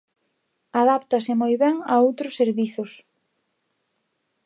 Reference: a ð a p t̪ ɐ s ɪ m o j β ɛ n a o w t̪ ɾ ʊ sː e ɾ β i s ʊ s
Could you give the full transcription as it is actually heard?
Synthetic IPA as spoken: a ð a p t̪ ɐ s ɪ m o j β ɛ ŋ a o w t̪ ɾ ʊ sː e ɾ β i θ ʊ s